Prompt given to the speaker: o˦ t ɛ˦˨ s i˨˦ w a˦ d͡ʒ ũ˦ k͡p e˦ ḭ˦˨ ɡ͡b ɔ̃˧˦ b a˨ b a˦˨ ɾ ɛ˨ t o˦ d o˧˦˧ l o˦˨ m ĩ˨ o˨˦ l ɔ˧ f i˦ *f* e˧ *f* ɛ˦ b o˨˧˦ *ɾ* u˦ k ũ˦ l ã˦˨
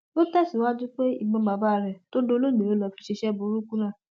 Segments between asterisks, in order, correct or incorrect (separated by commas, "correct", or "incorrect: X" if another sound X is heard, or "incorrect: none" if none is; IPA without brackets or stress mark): incorrect: ʃ, incorrect: ʃ, correct